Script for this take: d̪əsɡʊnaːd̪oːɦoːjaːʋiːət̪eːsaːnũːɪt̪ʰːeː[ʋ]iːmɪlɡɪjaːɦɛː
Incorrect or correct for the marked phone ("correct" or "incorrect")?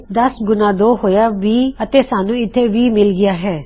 correct